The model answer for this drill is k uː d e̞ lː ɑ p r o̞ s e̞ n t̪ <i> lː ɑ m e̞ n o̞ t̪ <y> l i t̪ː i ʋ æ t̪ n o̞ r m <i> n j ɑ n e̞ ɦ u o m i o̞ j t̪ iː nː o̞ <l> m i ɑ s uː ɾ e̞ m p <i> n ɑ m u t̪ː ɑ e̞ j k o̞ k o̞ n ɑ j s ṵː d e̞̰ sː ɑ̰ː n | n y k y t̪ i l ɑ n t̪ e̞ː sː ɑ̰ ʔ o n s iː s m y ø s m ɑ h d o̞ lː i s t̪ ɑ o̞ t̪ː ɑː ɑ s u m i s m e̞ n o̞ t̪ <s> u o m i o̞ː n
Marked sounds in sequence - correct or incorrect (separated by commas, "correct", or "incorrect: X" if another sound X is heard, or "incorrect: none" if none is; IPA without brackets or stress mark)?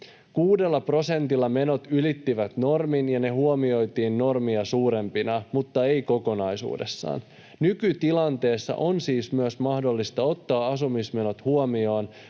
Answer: correct, correct, correct, incorrect: r, correct, incorrect: h